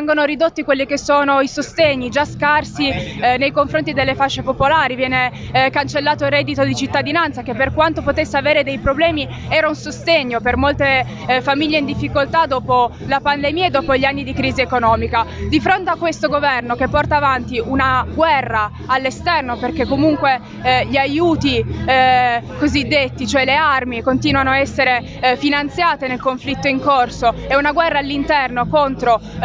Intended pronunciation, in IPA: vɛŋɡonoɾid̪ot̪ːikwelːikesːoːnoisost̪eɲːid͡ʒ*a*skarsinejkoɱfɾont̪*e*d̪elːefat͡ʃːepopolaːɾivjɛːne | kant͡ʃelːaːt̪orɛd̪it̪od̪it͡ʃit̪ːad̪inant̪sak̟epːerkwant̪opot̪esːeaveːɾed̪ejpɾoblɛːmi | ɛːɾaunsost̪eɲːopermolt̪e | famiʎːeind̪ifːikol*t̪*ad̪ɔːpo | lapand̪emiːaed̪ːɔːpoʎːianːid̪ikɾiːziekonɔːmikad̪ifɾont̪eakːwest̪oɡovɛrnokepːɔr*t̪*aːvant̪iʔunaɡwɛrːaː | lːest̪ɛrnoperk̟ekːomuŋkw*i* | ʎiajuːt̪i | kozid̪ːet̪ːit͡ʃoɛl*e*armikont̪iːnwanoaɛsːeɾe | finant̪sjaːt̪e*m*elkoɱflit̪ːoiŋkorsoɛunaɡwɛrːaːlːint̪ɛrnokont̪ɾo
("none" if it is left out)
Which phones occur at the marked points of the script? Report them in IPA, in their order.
a, i, t̪, t̪, e, e, n

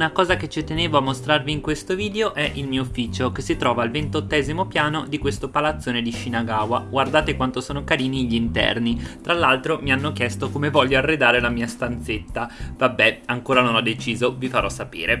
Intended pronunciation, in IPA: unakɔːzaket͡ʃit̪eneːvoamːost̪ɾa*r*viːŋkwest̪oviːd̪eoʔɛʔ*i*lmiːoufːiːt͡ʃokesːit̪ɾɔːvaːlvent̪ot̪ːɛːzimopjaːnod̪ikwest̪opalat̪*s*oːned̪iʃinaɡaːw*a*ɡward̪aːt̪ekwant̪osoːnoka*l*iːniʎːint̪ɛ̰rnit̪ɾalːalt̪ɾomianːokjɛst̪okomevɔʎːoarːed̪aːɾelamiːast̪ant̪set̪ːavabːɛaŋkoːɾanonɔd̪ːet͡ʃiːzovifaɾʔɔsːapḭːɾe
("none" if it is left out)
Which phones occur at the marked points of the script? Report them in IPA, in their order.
r, i, sː, a, ɾ

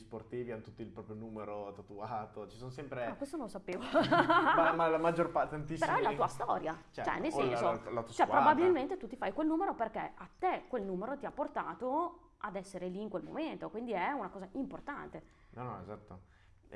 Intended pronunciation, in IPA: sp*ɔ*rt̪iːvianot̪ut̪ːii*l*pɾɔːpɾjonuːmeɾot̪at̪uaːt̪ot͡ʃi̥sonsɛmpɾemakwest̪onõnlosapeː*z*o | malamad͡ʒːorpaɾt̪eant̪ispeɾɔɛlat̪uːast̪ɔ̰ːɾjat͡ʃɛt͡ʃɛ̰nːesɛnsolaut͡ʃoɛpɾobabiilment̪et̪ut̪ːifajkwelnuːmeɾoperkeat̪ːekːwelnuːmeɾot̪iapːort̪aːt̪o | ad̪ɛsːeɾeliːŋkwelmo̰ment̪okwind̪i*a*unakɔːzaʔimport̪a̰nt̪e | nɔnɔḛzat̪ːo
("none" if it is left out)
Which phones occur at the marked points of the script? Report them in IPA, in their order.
o, l, v, ɛ

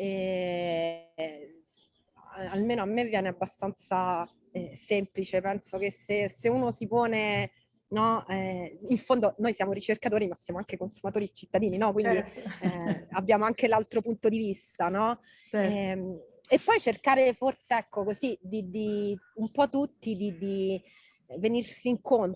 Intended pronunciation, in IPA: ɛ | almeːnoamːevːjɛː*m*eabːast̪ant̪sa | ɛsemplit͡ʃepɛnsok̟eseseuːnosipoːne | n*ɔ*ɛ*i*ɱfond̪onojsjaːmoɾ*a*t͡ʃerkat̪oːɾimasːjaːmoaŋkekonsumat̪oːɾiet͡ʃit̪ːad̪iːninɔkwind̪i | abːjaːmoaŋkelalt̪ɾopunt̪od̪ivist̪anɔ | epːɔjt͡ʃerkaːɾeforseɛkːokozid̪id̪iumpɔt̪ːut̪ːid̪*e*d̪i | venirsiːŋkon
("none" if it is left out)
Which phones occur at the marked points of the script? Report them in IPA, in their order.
n, ɔ, i, i, i

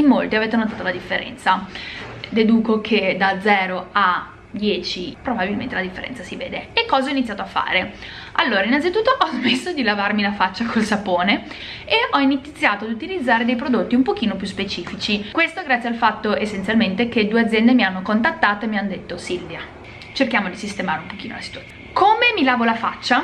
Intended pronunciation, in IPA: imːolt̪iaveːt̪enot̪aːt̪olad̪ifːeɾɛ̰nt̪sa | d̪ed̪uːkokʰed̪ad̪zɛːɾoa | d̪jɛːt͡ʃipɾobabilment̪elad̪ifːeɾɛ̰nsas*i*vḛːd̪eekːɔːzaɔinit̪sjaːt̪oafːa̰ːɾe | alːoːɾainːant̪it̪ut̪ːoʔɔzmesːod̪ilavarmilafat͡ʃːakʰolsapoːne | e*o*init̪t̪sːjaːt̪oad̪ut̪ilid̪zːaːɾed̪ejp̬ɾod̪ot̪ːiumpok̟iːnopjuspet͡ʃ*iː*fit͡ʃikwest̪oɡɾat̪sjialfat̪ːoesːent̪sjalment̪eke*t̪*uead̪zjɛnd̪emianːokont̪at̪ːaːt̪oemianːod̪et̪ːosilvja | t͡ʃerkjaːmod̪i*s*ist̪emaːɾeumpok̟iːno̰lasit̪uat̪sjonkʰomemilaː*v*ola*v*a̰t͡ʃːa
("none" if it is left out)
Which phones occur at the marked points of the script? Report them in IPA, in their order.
i, ɔ, iː, d̪, s, v, f

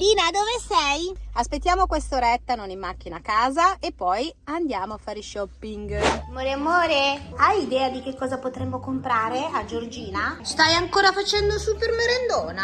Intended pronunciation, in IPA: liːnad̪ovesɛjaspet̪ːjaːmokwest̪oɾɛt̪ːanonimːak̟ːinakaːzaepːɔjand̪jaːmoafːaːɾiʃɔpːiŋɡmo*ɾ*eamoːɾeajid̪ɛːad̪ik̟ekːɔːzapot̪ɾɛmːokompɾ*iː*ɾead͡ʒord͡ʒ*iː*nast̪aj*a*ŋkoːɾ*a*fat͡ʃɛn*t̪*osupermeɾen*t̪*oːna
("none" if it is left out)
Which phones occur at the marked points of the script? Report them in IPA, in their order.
ɾ, aː, iː, a, a, d̪, d̪

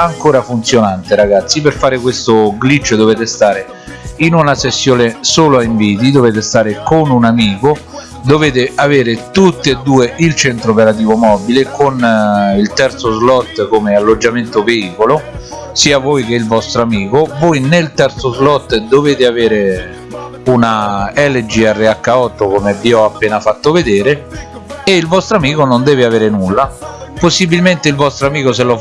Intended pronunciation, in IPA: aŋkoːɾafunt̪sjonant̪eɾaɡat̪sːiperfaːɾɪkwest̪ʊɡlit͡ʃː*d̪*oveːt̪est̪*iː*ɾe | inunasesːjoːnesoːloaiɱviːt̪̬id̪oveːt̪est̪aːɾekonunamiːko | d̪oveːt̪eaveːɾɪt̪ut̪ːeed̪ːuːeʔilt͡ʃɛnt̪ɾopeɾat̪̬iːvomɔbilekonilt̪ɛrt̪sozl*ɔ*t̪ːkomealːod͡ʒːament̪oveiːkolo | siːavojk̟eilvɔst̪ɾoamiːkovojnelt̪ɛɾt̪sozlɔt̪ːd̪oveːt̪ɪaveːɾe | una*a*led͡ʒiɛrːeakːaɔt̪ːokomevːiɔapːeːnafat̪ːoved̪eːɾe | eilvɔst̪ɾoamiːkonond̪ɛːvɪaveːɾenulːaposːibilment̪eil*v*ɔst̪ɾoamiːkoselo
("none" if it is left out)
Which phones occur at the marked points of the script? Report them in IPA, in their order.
d̪, aː, ɔ, ɛ, v

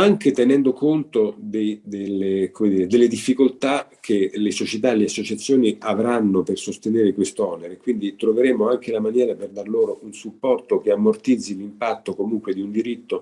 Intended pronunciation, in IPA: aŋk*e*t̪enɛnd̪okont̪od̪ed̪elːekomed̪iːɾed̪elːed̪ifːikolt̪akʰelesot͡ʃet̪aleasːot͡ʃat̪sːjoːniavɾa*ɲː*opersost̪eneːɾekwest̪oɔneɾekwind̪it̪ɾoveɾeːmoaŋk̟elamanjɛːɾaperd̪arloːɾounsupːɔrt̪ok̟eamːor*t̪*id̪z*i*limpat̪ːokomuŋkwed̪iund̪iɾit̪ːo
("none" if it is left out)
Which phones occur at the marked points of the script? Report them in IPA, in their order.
e, nː, t̪, i

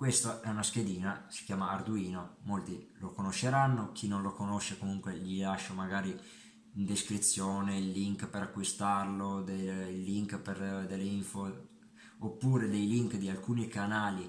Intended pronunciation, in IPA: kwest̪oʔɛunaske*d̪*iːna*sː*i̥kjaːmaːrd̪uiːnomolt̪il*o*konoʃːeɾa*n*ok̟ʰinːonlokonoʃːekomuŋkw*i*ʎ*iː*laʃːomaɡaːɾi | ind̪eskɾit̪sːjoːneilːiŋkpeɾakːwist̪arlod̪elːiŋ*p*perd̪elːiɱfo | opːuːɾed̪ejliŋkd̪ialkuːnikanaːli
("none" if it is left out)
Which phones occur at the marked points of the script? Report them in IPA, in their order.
d̪, s, o, nː, e, i, k

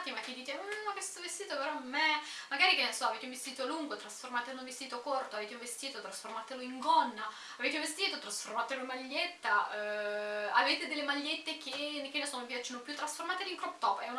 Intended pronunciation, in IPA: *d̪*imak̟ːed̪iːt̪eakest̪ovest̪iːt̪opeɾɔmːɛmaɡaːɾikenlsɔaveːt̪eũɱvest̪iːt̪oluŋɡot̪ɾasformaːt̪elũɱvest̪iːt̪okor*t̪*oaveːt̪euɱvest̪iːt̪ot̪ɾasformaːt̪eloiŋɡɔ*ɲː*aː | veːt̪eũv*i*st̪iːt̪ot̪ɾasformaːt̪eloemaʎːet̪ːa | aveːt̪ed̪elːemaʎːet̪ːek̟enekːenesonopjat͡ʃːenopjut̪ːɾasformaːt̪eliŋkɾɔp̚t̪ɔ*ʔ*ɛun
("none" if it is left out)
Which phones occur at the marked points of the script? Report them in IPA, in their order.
t̪, t̪, nː, e, p

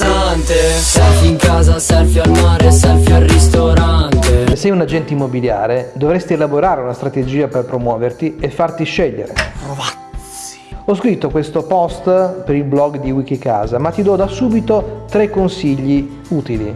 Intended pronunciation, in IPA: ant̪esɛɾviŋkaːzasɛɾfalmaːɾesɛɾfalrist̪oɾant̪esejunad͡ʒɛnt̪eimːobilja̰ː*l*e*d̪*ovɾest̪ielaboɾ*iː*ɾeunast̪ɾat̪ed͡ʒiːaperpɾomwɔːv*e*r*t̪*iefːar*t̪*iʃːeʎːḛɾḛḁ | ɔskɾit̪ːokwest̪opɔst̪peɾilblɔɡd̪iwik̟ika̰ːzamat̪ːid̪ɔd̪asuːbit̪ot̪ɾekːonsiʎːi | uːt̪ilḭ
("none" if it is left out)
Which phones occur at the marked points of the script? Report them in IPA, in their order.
ɾ, d̪, aː, e, t̪, t̪

